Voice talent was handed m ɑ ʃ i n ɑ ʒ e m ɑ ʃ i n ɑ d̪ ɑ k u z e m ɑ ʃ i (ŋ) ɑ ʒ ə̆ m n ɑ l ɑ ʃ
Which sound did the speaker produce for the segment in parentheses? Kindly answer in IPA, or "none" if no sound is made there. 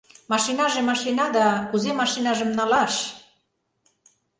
n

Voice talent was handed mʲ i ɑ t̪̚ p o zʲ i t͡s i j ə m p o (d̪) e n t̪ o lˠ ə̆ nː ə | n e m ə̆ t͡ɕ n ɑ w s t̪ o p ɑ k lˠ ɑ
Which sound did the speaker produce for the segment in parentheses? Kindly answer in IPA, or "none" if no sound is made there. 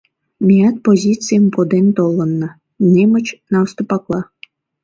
d̪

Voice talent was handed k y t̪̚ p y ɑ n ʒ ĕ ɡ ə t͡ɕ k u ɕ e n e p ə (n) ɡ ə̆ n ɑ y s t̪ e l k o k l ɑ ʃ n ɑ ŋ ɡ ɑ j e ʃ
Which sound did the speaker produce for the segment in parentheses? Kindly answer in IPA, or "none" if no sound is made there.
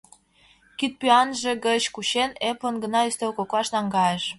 n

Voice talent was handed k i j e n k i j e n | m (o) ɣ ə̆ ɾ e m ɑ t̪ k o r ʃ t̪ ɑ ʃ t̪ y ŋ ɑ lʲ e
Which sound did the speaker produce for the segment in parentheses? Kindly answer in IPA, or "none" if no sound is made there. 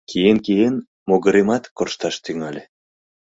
o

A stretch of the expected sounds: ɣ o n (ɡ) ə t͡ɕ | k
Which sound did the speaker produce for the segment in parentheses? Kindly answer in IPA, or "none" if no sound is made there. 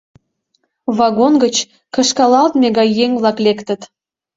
ɡ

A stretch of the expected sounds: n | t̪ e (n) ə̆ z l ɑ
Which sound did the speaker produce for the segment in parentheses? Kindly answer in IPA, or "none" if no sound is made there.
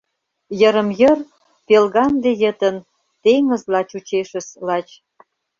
ŋ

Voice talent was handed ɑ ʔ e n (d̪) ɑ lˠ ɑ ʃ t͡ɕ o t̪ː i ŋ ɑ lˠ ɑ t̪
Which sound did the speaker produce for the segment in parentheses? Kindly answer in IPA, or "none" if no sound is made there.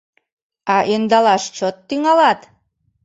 d̪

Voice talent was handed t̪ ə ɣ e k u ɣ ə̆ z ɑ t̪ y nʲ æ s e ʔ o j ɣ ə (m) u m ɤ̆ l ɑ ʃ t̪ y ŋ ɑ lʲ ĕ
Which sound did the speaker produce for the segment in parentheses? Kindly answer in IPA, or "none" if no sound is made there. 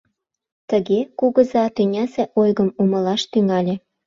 m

